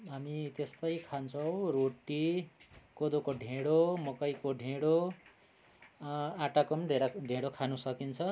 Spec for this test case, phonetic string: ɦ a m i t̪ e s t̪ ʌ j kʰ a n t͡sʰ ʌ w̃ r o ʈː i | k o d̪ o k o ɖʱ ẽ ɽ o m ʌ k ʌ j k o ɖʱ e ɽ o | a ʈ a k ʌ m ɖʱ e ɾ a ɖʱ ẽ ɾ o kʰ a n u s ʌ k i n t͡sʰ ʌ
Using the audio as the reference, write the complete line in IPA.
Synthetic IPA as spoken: ɦ a m i t̪ e s t̪ ʌ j kʰ a n t͡sʰ ʌ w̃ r o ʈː i | k o d̪ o k o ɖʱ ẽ ɽ o m ʌ k ʌ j k o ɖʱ e ɽ o | a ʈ a k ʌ m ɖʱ e ɾ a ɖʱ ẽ ɽ o kʰ a n u s ʌ k i n t͡sʰ ʌ

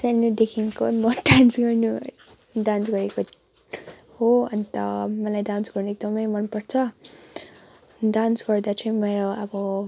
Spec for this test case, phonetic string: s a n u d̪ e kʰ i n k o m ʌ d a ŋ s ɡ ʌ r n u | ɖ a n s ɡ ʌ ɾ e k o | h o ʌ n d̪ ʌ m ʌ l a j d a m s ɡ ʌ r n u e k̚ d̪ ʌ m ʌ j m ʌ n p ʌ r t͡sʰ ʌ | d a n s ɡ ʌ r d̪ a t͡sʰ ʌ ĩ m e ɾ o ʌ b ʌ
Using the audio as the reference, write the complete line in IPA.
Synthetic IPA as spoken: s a n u d̪ e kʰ i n k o m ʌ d a n s ɡ ʌ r n u | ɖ a n s ɡ ʌ ɾ e k o | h o ʌ n t̪ ʌ m ʌ l a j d a n s ɡ ʌ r n u e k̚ d̪ ʌ m ʌ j m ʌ n p ʌ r t͡sʰ ʌ | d a n s ɡ ʌ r d̪ a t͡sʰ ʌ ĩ m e ɾ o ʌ b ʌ

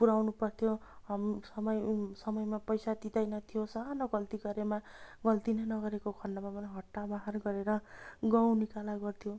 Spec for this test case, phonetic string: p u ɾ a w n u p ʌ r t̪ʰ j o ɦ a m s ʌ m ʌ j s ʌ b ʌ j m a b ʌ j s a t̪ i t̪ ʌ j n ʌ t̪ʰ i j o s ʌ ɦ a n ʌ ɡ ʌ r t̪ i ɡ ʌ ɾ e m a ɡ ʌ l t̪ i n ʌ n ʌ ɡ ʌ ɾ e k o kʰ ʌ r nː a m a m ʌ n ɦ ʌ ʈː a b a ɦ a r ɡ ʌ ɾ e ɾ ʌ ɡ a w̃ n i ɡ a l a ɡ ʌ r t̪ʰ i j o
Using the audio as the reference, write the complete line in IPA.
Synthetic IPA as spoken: p u ɾ a w n u p ʌ r t̪ʰ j o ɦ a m s ʌ m ʌ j s ʌ m ʌ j m a p ʌ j s a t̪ i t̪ ʌ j n ʌ t̪ʰ i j o s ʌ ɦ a n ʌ ɡ ʌ l t̪ i ɡ ʌ ɾ e m a ɡ ʌ l t̪ i n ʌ n ʌ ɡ ʌ ɾ e k o kʰ ʌ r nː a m a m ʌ n ɦ ʌ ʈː a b a ɦ a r ɡ ʌ ɾ e ɾ ʌ ɡ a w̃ n i k a l a ɡ ʌ r t̪ʰ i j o

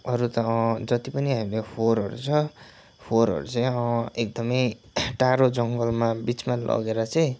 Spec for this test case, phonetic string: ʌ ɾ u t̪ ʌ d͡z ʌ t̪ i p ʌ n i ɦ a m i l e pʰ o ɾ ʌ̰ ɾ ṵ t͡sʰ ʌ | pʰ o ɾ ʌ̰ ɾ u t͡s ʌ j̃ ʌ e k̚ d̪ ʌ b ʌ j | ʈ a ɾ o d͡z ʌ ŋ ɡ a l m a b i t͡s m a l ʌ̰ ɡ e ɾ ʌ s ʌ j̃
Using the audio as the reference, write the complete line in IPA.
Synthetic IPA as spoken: ʌ ɾ u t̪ ʌ d͡z ʌ t̪ i p ʌ n i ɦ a m i l e pʰ o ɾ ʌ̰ ɾ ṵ t͡sʰ ʌ | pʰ o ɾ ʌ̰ ɾ u t͡s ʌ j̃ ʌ e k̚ d̪ ʌ m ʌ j | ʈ a ɾ o d͡z ʌ ŋ ɡ ʌ l m a b i t͡s m a l ʌ̰ ɡ e ɾ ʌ t͡s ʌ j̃

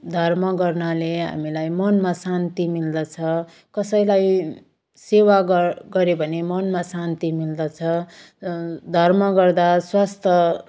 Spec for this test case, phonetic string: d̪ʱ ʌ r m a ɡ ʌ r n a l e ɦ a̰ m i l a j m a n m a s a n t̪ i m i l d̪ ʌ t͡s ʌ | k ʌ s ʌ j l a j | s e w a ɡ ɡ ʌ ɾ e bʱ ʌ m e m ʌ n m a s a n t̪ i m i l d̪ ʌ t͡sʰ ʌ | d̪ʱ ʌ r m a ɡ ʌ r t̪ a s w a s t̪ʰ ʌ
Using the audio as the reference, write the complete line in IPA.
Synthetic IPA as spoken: d̪ʱ ʌ r m ʌ ɡ ʌ r n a l e ɦ a̰ m i l a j m ʌ n m a s a n t̪ i m i l d̪ ʌ t͡sʰ ʌ | k ʌ s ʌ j l a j | s e w a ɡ ɡ ʌ ɾ e bʱ ʌ n e m ʌ n m a s a n t̪ i m i l d̪ ʌ t͡sʰ ʌ | d̪ʱ ʌ r m ʌ ɡ ʌ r d̪ a s w a s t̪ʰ ʌ

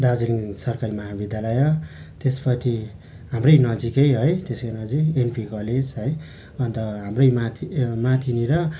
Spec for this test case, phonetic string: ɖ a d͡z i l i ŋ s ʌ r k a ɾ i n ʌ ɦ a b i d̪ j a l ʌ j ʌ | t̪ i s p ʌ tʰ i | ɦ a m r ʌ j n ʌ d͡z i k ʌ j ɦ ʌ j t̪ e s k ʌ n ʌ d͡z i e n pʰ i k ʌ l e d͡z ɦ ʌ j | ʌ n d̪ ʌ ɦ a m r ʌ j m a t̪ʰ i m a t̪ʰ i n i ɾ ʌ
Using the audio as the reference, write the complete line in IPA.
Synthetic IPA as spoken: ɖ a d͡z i l i ŋ s ʌ r k a ɾ i m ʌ ɦ a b i d̪ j a l ʌ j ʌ | t̪ e s p ʌ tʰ i | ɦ a m r ʌ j n ʌ d͡z i k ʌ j ɦ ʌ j t̪ e s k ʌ n ʌ d͡z i e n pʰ i k ʌ l e d͡z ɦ ʌ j | ʌ n t̪ ʌ ɦ a m r ʌ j m a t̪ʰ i m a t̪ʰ i n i ɾ ʌ

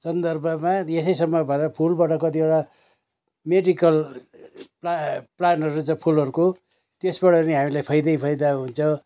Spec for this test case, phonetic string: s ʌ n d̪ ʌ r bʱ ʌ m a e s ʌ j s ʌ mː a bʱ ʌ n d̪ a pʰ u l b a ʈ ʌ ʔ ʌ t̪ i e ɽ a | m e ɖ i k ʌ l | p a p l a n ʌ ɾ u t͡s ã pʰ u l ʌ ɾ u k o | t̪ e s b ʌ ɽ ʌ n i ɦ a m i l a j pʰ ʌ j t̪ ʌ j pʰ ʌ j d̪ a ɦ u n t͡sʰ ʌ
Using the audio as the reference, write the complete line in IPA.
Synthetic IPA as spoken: s ʌ n d̪ ʌ r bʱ ʌ m a e s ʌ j s ʌ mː ʌ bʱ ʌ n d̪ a pʰ u l b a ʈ ʌ k ʌ t̪ i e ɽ a | m e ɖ i k ʌ l | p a p l a n ʌ ɾ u t͡s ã pʰ u l ʌ ɾ u k o | t̪ e s b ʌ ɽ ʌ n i ɦ a m i l a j pʰ ʌ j d̪ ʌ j pʰ ʌ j d̪ a ɦ u n t͡sʰ ʌ

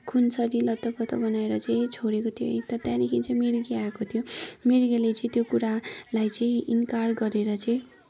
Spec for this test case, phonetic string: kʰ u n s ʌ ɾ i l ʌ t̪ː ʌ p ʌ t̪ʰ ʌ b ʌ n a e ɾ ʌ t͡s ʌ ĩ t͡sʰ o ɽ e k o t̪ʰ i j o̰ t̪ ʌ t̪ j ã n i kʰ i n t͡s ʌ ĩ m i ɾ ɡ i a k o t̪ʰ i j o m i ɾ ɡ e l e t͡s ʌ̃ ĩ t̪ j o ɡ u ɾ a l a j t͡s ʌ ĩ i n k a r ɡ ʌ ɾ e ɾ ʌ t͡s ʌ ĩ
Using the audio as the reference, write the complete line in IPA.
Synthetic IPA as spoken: kʰ u n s ʌ ɾ i l ʌ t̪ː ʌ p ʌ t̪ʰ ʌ b ʌ n a e ɾ ʌ t͡s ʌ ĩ t͡sʰ o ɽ e k o t̪ʰ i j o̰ t̪ ʌ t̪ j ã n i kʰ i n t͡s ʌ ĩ m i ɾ ɡ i a k o t̪ʰ i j o m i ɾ ɡ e l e t͡s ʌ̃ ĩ t̪ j o k u ɾ a l a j t͡s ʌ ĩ i n k a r ɡ ʌ ɾ e ɾ ʌ t͡s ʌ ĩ

